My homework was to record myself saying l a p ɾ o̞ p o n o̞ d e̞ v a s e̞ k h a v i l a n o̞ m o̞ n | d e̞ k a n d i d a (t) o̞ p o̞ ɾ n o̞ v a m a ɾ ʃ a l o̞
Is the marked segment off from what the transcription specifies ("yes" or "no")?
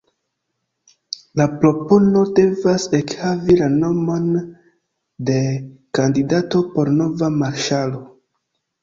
no